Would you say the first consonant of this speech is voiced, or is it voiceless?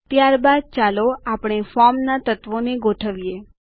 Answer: voiceless